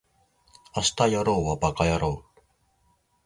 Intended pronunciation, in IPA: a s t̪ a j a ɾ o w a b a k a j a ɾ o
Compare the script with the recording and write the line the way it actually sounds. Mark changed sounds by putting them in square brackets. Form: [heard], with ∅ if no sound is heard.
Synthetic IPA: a s t̪ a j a ɾ o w a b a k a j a ɾ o